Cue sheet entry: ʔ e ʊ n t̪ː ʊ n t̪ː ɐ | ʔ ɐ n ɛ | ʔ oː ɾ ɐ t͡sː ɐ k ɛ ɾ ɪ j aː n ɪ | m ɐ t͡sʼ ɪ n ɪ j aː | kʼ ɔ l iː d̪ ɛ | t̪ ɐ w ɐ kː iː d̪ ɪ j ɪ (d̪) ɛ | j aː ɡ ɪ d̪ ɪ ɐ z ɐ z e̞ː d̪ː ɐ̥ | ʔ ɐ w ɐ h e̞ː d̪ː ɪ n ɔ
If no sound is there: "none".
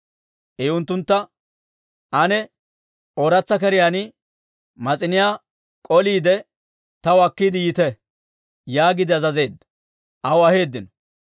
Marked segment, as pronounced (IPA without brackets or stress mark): t̪